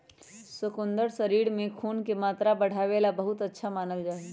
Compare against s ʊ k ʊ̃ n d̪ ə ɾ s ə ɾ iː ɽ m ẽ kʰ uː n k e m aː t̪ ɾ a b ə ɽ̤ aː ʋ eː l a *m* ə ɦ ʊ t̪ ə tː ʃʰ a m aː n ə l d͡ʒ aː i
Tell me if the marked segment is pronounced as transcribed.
no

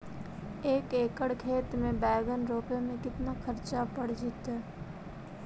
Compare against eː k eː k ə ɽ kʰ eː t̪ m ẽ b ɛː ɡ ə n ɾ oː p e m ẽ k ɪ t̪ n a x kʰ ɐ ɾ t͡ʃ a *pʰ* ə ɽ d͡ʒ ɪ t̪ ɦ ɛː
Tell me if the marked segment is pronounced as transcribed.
no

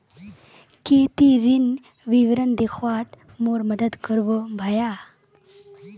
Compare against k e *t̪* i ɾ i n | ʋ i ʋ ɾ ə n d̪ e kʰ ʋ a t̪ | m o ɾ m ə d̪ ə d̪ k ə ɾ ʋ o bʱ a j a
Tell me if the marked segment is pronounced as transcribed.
yes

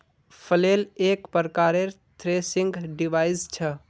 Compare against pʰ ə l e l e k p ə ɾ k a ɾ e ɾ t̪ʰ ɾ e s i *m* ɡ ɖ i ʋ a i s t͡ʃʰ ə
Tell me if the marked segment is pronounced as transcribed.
no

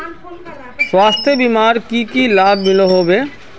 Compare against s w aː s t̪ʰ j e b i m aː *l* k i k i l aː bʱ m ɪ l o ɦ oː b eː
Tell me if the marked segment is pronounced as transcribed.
no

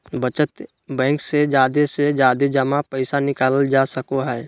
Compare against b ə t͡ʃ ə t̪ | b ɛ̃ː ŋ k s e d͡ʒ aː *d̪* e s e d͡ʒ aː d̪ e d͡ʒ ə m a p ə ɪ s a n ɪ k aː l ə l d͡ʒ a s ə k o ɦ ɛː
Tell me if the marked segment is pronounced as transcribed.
yes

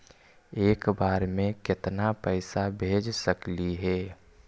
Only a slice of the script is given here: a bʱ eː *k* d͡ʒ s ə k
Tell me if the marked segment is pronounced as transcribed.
no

